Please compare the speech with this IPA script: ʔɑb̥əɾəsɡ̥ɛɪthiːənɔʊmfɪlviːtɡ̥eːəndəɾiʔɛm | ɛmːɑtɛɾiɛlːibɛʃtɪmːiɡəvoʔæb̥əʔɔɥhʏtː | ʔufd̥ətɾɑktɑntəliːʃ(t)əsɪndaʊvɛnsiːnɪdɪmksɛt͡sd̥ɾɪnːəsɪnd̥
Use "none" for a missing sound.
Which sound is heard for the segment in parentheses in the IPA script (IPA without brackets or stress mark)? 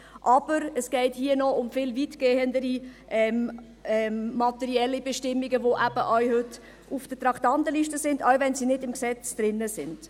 t